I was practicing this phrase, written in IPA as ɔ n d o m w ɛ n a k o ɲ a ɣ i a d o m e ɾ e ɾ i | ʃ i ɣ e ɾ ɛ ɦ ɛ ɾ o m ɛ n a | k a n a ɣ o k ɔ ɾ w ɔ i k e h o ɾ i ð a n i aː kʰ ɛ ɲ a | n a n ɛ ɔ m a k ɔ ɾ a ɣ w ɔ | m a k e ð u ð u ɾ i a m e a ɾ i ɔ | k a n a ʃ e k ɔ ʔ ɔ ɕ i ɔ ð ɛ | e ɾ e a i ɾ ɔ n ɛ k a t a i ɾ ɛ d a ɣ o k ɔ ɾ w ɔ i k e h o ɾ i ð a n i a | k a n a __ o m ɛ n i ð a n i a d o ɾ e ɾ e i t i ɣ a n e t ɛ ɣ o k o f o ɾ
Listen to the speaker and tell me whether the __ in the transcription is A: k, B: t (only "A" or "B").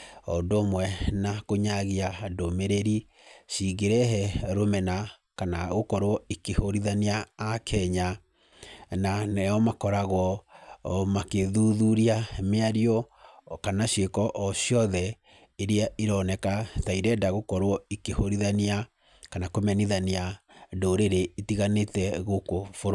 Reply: A